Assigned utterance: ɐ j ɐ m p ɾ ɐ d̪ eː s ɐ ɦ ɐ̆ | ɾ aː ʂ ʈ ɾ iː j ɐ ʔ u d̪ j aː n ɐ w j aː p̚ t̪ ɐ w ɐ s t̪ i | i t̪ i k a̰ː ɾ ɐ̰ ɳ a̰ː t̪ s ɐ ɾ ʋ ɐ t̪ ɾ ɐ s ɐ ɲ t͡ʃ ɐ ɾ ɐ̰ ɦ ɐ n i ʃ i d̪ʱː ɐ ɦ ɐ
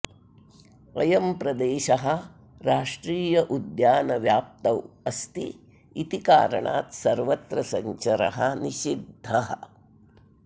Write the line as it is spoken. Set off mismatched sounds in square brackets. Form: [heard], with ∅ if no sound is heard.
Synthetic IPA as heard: ɐ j ɐ m p ɾ ɐ d̪ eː [ʃ] ɐ ɦ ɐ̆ | ɾ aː ʂ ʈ ɾ iː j ɐ ʔ u d̪ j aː n ɐ [ʋ] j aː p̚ t̪ ɐ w ɐ s t̪ i | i t̪ i k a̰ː ɾ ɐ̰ ɳ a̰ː t̪ s ɐ ɾ ʋ ɐ t̪ ɾ ɐ s ɐ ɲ t͡ʃ ɐ ɾ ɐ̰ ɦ ɐ n i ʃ i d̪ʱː ɐ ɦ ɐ